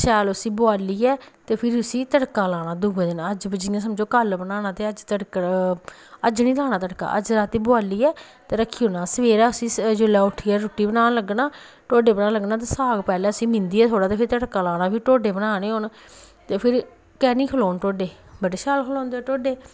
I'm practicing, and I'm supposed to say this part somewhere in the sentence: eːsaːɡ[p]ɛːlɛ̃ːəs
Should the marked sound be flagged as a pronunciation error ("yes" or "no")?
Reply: no